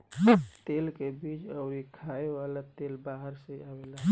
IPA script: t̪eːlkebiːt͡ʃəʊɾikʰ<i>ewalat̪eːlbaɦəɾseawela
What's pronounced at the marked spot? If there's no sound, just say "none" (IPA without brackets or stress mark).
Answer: a